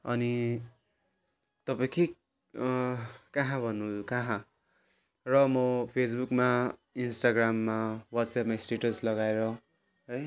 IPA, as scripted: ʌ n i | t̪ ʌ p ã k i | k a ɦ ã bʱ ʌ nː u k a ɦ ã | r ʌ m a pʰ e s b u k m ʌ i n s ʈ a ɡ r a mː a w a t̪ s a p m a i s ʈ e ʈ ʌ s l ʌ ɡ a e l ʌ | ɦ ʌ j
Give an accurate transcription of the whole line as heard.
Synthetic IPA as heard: ʌ n i | t̪ ʌ p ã k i | k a ɦ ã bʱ ʌ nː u k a ɦ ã | r ʌ m ʌ pʰ e s b u k m a i n s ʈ a ɡ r a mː a w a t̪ s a p m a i s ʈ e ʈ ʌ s l ʌ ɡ a e ɾ ʌ | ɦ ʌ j

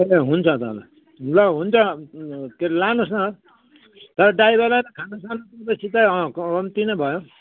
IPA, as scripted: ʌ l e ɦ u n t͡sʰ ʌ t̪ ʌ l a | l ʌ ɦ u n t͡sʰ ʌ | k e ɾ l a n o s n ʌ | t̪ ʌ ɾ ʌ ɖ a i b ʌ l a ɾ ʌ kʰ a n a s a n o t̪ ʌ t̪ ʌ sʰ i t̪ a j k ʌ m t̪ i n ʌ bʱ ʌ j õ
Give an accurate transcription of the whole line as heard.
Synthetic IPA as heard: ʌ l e ɦ u n t͡sʰ ʌ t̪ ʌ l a | l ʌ ɦ u n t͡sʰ ʌ | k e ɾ l a n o s n ʌ | t̪ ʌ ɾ ʌ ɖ a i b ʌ l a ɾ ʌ kʰ a n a s a n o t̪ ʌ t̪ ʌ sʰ i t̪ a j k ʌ m t̪ i n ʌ bʱ ʌ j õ

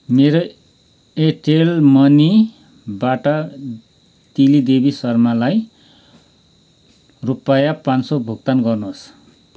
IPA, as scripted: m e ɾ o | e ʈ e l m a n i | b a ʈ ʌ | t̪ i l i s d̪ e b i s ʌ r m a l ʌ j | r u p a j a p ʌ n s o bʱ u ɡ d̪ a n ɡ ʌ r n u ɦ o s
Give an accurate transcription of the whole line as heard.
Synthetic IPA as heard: m e ɾ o | e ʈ e l m ʌ n i | b a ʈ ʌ | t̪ i l i d̪ e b i s ʌ r m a l a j | r u p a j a p a n s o bʱ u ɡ t̪ a n ɡ ʌ r n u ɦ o s

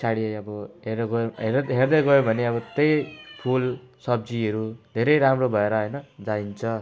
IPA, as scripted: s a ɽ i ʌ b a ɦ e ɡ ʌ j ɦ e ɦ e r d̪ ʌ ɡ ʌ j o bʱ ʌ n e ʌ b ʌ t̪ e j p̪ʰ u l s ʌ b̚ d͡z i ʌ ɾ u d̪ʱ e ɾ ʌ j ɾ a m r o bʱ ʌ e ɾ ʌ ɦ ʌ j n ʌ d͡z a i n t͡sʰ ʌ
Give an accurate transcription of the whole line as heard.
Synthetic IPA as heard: s a ɽ i ʌ b ʌ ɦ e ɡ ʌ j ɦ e ɦ e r d̪ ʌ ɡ ʌ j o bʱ ʌ n e ʌ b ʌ t̪ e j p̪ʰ u l s ʌ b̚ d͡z i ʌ ɾ u d̪ʱ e ɾ ʌ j ɾ a m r o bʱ ʌ e ɾ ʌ ɦ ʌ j n ʌ d͡z a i n t͡sʰ ʌ

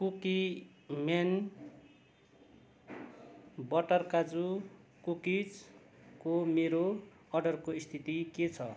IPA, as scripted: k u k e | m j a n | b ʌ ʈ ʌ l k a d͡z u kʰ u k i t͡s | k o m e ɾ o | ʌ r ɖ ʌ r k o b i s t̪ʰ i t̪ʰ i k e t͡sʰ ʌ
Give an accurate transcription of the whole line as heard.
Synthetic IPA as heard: k u k i | m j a n | b ʌ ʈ ʌ r k a d͡z u k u k i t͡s | k o m e ɾ o | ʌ r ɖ ʌ r k o i s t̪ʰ i t̪ i k e t͡sʰ ʌ

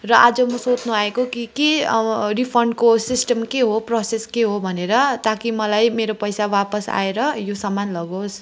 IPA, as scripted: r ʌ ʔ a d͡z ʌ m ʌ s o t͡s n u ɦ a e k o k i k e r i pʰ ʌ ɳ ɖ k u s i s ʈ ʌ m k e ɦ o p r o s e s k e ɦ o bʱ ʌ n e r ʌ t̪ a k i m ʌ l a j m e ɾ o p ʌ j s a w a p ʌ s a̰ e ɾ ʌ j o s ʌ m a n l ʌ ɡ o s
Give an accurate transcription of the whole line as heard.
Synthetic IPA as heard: r ʌ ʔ a d͡z ʌ m ʌ s o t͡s n u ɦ a e k o k i k e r i pʰ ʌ ɳ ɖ k o s i s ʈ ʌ m k e ɦ o p r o s e s k e ɦ o bʱ ʌ n e ɾ ʌ t̪ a k i m ʌ l a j m e ɾ o p ʌ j s a w a p ʌ s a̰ e ɾ ʌ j o s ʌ m a n l ʌ ɡ o s

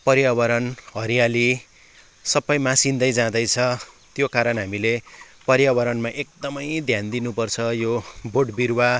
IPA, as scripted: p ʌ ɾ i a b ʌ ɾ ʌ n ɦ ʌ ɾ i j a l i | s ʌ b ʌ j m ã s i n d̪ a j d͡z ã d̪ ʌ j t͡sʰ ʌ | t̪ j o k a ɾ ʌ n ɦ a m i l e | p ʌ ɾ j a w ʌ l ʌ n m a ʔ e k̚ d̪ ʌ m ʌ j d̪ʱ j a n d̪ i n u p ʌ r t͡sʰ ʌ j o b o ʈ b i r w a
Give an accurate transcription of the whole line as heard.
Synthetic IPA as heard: p ʌ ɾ j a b ʌ ɾ ʌ n ɦ ʌ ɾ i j a l i | s ʌ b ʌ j m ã s i n d̪ ʌ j d͡z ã d̪ ʌ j t͡sʰ ʌ | t̪ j o k a ɾ ʌ n ɦ a m i l e | p ʌ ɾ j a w ʌ ɾ ʌ n m a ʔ e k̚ d̪ ʌ m ʌ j d̪ʱ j a n d̪ i n u p ʌ r t͡sʰ ʌ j o b o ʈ b i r w a

